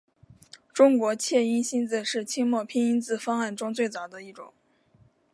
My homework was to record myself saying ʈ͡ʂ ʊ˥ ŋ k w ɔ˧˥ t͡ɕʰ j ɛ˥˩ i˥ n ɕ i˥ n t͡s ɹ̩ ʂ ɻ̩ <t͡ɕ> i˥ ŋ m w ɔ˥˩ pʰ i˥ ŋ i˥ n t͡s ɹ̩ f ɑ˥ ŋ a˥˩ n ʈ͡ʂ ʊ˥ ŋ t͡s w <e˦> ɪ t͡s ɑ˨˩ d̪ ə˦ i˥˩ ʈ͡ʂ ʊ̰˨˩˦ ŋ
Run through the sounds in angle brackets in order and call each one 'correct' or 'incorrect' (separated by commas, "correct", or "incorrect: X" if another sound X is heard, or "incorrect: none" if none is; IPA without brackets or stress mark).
incorrect: t͡ɕʰ, incorrect: e˥˩